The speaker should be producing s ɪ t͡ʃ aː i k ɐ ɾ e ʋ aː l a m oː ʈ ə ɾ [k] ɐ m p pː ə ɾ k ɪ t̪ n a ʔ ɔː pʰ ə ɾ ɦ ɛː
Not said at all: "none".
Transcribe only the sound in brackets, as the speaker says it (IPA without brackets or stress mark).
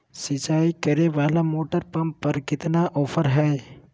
p